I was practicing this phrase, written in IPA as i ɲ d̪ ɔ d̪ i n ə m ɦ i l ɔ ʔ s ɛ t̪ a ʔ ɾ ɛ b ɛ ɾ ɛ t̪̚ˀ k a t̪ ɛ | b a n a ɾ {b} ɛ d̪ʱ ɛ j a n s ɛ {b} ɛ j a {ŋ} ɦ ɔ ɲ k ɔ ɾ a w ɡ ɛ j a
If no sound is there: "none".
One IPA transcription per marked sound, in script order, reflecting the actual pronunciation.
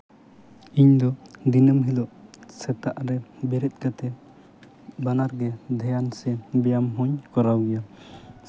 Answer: ɡ, b, m

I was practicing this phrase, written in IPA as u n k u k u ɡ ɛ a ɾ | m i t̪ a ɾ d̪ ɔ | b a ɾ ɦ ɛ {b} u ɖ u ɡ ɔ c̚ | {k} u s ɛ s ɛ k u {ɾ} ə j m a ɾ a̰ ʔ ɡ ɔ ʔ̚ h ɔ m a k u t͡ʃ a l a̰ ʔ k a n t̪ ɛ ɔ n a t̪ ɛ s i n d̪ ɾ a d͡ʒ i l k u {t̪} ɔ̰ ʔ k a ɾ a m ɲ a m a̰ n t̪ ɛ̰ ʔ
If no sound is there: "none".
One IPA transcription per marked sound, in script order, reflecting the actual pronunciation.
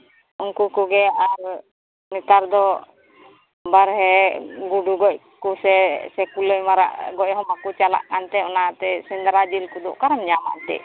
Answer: ɡ, k, l, d̪

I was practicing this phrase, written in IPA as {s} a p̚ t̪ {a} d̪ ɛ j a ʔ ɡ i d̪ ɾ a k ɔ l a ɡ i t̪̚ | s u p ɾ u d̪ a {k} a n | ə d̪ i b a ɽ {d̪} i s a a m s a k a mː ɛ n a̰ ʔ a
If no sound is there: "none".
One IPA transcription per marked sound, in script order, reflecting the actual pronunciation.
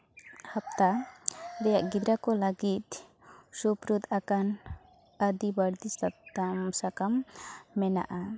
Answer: h, a, k, d̪

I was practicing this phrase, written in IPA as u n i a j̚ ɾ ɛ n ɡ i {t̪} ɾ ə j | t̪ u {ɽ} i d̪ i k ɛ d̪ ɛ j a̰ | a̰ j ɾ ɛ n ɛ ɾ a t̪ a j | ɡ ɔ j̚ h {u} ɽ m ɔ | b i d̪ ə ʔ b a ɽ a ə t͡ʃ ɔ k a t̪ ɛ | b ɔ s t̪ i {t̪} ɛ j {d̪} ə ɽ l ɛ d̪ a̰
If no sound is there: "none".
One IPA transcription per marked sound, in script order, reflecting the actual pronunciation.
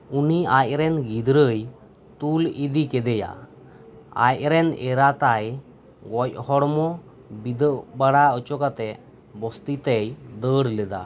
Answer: d̪, l, ɔ, t̪, d̪

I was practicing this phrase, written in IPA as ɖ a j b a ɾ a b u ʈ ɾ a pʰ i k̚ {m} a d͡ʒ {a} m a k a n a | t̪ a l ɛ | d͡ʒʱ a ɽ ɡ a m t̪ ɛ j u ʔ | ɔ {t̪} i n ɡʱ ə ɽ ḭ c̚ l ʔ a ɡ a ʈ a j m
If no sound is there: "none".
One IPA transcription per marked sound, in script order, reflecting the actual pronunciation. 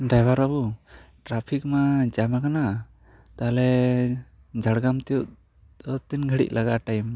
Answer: m, a, t̪

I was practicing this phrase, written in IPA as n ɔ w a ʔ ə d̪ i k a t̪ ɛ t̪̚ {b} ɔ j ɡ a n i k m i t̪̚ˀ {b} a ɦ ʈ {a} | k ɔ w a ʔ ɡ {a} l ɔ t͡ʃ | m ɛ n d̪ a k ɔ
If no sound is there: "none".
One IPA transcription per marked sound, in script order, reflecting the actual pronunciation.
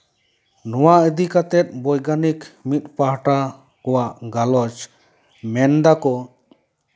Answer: b, p, a, a

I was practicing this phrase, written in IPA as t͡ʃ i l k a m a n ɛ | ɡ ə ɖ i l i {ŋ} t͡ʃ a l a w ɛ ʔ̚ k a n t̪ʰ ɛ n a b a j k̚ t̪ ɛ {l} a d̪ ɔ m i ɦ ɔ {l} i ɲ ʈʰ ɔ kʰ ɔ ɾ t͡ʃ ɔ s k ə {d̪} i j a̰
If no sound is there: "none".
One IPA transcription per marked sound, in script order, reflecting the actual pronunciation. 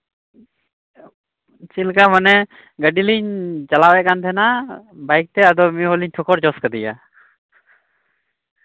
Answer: ɲ, none, l, d̪

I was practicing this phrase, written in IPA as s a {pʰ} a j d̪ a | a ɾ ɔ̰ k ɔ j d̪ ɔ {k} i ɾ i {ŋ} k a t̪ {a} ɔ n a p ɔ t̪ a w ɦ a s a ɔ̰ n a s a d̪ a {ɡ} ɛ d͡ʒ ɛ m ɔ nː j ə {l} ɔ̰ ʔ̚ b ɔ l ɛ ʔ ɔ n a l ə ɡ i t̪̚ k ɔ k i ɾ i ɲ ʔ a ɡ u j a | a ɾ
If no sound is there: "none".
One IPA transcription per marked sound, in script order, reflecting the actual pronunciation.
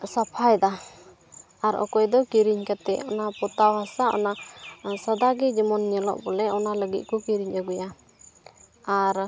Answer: pʰ, k, ɲ, ɛ, ɡ, l

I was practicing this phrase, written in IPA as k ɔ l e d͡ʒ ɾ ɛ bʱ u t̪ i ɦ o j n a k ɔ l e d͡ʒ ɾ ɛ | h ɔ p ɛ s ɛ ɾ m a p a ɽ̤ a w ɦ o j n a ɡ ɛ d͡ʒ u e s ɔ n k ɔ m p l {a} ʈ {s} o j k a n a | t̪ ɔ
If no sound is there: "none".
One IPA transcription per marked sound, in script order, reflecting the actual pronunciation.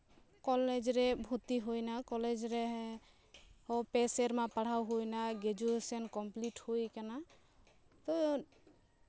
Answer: i, h

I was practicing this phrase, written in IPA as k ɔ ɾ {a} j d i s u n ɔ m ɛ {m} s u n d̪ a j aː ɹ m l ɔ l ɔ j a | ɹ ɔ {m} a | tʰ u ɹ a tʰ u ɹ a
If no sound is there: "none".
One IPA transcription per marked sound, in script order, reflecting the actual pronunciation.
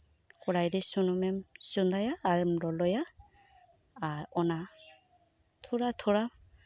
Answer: a, m, n

